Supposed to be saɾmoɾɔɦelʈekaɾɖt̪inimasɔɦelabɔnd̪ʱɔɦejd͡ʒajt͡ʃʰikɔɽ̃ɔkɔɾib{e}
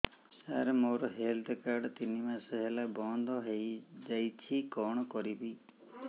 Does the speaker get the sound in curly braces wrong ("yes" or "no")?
yes